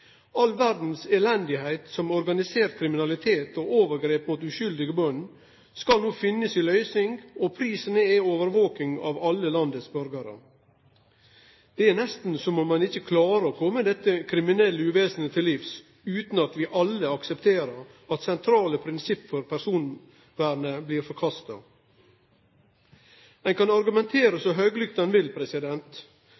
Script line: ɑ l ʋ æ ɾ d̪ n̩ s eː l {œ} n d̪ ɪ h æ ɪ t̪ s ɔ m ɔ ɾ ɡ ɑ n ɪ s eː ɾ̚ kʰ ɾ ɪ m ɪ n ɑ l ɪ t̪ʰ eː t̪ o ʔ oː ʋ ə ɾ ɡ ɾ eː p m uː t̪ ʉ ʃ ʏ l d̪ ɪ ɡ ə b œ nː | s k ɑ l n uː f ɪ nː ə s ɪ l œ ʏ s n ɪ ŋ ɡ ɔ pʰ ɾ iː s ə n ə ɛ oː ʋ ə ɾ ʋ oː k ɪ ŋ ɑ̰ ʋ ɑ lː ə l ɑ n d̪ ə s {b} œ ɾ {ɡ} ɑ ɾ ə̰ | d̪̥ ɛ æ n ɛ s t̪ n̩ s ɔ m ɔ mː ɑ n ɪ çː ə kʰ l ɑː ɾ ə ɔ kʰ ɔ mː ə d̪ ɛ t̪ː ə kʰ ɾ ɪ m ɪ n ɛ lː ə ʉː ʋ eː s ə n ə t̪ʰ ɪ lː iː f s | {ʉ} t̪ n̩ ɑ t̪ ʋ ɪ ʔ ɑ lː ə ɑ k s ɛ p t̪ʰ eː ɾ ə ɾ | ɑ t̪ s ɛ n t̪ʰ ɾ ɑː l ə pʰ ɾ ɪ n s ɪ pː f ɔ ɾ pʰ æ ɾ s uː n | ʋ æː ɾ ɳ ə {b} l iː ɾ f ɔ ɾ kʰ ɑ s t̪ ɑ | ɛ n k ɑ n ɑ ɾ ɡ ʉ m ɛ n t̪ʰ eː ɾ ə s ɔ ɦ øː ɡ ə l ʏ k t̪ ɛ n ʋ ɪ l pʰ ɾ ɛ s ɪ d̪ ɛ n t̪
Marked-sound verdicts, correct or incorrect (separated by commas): incorrect, correct, correct, incorrect, correct